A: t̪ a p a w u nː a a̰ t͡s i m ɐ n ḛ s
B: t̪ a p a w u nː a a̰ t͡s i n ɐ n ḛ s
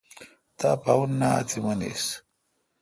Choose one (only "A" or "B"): A